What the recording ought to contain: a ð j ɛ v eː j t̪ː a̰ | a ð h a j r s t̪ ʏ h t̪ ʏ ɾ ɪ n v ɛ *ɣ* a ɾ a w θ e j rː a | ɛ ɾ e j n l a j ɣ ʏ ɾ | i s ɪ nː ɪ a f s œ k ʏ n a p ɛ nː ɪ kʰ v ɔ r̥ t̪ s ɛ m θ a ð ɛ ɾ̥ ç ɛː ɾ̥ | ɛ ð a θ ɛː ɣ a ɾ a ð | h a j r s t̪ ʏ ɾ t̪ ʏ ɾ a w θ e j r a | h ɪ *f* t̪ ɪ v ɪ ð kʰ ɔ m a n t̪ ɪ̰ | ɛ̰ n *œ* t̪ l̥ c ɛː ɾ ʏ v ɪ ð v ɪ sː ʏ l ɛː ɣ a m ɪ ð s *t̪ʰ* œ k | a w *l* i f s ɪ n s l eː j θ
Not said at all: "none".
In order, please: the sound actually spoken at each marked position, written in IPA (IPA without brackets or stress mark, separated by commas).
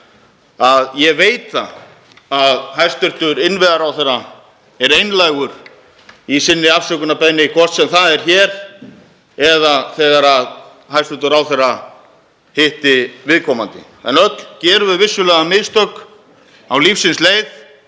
ð, h, œ, t̪, l